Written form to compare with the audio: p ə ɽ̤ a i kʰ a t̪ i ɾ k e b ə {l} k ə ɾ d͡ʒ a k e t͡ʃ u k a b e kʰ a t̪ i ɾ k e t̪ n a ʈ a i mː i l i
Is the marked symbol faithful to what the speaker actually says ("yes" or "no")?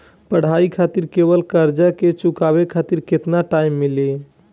yes